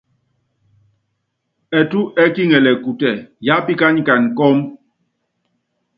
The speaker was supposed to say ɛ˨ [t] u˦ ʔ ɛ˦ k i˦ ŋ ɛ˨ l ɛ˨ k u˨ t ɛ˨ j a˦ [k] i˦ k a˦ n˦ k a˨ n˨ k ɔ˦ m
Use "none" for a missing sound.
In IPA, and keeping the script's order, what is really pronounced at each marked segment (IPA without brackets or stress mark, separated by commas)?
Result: t, p